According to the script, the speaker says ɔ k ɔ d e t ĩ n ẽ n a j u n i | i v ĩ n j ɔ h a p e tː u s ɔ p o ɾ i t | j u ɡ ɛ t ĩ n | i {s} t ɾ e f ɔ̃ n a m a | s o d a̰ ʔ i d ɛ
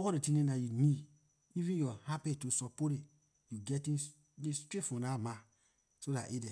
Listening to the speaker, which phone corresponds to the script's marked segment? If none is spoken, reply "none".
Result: s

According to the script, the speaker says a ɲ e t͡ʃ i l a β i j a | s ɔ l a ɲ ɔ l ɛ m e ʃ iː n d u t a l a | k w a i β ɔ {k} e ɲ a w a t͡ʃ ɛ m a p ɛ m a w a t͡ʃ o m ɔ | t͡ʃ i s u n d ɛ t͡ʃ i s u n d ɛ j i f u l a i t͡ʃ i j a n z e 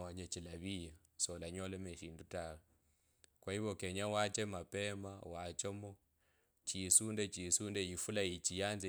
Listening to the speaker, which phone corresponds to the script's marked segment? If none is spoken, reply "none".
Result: k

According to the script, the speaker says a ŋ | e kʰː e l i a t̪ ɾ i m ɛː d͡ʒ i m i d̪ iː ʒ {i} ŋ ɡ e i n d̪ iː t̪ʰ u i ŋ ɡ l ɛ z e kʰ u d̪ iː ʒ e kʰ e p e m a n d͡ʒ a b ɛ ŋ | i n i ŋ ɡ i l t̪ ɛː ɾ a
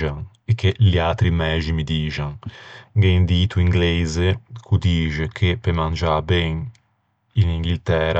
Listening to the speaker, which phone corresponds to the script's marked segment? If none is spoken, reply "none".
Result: a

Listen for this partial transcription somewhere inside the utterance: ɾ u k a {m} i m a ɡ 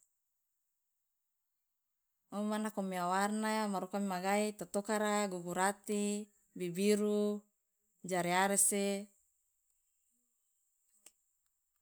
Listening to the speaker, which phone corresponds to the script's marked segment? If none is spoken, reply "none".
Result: m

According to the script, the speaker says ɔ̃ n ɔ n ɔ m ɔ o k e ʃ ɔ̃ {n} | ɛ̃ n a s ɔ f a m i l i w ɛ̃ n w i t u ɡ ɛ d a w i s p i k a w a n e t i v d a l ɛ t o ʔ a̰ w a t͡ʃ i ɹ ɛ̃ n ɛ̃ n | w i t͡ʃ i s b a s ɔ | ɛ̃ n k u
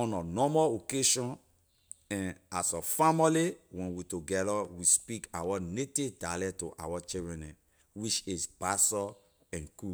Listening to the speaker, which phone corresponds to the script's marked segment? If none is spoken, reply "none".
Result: n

